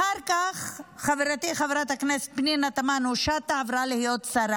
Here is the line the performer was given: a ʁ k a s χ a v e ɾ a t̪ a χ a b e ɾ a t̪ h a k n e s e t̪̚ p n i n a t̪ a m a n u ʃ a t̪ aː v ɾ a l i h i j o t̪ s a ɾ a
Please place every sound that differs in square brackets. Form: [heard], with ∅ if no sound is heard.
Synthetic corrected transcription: a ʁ k a [χ] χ a v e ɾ a t̪ [i] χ a [v] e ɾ a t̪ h a k n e s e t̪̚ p n i n a t̪ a m a n u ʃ a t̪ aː v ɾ a l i h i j o t̪ s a ɾ a